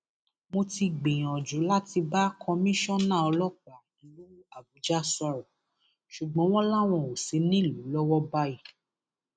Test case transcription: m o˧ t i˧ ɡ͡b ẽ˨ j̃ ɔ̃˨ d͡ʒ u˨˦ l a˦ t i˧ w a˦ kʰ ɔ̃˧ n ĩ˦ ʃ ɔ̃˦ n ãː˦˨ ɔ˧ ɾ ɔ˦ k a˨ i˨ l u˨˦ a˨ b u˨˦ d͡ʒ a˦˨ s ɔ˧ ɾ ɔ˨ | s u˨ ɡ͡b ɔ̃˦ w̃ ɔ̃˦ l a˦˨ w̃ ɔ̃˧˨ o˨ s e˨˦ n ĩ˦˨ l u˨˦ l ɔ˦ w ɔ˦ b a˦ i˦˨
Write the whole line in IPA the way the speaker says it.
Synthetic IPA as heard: m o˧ t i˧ ɡ͡b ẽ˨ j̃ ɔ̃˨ d͡ʒ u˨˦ l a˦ t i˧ b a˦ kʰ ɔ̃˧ m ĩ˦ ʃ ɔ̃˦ n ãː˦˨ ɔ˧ l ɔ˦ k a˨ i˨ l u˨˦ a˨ b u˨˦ d͡ʒ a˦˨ s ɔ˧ ɾ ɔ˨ | ʃ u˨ ɡ͡b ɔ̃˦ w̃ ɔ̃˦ l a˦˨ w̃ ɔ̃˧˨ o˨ s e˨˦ n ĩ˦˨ l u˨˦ l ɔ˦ w ɔ˦ b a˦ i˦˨